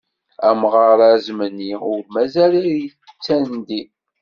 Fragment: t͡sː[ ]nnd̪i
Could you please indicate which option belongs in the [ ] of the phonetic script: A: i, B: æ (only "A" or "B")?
B